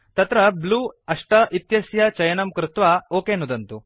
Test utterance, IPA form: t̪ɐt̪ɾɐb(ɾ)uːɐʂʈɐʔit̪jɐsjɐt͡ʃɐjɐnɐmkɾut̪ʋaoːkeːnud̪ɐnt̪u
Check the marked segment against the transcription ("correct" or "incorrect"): incorrect